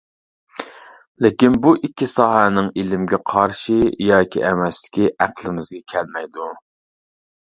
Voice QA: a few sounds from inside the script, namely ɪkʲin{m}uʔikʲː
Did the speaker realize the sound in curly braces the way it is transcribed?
no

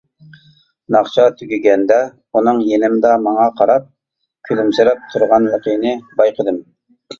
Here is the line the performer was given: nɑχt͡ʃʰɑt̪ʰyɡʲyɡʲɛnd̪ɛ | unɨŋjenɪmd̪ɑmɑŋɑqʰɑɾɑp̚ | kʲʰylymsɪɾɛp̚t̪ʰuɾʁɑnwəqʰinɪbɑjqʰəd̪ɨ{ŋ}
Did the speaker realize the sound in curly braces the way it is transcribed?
no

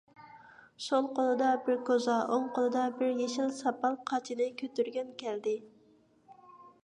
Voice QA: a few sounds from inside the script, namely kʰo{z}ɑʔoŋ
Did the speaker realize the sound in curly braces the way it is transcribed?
yes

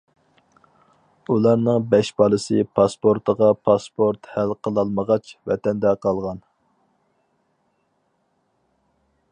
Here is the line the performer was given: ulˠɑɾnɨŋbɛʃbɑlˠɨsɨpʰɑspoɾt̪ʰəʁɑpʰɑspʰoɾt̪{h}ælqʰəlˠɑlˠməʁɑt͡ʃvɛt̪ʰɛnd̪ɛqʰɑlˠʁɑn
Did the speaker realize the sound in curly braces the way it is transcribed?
yes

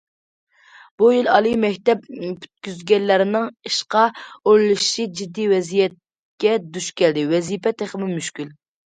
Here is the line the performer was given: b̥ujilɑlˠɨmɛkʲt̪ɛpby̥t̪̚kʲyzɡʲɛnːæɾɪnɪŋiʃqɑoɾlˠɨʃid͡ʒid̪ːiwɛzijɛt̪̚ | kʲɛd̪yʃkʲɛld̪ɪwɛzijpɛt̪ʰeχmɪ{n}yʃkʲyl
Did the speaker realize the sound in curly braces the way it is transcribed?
no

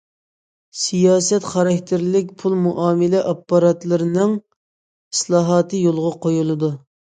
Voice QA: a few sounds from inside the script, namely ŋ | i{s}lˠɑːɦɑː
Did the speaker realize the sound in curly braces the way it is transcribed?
yes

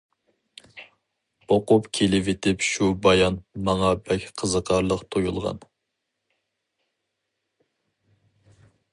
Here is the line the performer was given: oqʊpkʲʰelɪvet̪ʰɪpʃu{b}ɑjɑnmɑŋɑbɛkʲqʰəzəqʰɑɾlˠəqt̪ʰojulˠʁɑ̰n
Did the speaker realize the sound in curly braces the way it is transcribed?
yes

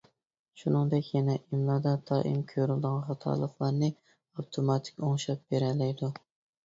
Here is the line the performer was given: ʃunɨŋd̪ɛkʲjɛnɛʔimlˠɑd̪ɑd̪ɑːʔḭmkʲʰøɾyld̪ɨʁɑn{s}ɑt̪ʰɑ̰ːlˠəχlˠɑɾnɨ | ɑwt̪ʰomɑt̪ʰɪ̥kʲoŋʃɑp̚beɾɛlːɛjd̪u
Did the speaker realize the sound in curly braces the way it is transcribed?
no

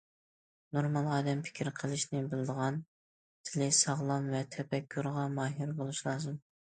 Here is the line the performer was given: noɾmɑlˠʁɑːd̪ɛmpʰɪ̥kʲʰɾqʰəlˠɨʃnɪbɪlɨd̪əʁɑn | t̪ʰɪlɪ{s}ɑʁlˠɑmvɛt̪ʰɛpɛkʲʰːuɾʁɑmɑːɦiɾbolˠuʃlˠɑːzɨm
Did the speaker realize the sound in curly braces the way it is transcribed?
yes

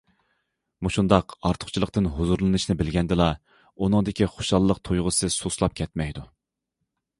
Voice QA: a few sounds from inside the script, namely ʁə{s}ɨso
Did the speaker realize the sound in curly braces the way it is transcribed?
yes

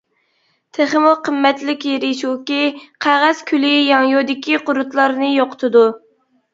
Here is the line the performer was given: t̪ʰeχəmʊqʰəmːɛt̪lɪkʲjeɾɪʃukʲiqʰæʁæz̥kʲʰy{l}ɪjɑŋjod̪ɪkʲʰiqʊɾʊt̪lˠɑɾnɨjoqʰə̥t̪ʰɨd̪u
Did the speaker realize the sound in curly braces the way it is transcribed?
yes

